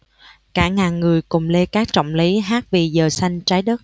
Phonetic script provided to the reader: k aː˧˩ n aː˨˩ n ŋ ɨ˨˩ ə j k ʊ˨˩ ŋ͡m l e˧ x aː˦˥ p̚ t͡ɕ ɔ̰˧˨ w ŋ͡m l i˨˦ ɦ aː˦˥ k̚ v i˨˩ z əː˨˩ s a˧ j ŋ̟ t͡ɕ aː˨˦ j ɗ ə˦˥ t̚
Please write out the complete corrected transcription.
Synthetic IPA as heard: k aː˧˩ ŋ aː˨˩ n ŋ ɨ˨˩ ə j k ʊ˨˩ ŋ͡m l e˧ k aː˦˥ k̚ t͡ɕ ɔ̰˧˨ w ŋ͡m l i˨˦ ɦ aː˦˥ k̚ v i˨˩ z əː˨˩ s a˧ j ŋ̟ t͡ɕ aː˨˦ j ɗ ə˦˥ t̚

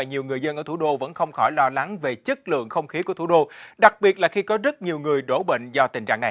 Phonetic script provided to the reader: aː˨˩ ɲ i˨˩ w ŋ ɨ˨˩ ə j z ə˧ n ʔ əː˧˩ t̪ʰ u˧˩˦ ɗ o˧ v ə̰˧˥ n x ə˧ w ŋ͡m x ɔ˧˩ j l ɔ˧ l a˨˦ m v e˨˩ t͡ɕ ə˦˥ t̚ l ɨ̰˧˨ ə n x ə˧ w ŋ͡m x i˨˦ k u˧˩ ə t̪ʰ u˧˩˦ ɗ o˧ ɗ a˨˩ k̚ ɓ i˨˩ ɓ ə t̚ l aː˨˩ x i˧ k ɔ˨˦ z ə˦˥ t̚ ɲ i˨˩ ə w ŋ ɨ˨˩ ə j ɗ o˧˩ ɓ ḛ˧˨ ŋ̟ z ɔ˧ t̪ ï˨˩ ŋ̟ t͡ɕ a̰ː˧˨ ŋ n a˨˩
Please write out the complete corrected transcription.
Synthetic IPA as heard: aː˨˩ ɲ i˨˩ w ŋ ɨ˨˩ ə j z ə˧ n ʔ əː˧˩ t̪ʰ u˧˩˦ ɗ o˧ v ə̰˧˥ n x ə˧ w ŋ͡m x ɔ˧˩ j l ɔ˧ l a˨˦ ŋ v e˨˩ t͡ɕ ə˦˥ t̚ l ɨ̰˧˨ ə ŋ x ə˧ w ŋ͡m x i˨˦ k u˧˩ ə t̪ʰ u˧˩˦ ɗ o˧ ɗ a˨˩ k̚ ɓ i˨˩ ə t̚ l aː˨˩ x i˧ k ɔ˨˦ z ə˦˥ t̚ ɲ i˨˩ ə w ŋ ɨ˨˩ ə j ɗ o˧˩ ɓ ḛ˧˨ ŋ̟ z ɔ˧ t̪ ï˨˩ ŋ̟ t͡ɕ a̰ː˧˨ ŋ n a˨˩

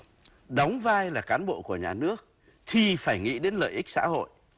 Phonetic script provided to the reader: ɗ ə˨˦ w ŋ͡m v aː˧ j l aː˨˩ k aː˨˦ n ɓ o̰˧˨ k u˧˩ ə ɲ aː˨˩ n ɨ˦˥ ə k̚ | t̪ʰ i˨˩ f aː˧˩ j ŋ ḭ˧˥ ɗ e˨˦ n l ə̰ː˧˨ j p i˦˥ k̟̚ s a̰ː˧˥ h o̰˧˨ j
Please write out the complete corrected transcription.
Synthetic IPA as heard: ɗ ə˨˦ w ŋ͡m v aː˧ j l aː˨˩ k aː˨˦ n ɓ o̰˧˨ k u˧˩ ə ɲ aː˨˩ n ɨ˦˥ ə k̚ | t̪ʰ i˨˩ f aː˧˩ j ŋ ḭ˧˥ ɗ e˨˦ n l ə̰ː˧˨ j ʔ i˦˥ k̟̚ s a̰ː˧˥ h o̰˧˨ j

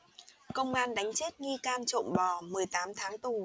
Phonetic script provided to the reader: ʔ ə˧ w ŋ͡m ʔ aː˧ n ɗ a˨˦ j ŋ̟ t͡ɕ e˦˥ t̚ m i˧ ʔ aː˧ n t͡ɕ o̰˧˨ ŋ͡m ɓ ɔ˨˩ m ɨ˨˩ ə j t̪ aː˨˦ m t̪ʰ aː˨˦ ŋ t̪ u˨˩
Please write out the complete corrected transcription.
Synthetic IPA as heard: k ə˧ w ŋ͡m ʔ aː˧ n ɗ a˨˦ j ŋ̟ t͡ɕ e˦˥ t̚ ŋ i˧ k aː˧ n t͡ɕ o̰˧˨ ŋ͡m ɓ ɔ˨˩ m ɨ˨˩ ə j t̪ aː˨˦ m t̪ʰ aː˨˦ ŋ t̪ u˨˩

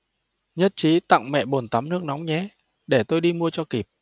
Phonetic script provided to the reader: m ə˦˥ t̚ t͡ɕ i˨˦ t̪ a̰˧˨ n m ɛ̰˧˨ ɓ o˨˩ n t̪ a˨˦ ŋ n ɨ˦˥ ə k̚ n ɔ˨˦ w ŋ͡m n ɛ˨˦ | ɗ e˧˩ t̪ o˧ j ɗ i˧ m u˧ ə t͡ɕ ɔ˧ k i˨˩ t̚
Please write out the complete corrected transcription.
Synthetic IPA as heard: ɲ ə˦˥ t̚ t͡ɕ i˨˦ t̪ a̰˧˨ ŋ m ɛ̰˧˨ ɓ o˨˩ n t̪ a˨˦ m n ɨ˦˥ ə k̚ n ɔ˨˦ w ŋ͡m ɲ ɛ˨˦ | ɗ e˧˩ t̪ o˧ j ɗ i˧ m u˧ ə t͡ɕ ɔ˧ k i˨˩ p̚

